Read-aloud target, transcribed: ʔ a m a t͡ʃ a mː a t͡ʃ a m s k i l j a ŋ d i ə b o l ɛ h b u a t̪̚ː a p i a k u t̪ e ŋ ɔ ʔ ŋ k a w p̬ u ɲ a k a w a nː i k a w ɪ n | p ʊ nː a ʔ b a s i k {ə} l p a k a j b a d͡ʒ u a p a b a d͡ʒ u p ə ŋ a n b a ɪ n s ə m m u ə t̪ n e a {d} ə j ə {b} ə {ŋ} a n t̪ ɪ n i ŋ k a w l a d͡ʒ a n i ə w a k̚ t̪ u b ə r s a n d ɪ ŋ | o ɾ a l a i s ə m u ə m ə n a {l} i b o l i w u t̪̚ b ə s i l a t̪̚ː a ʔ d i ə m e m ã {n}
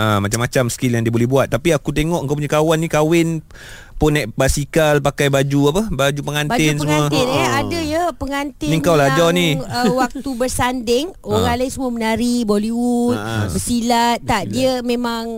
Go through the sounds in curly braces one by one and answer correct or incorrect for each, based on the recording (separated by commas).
incorrect, correct, incorrect, correct, incorrect, incorrect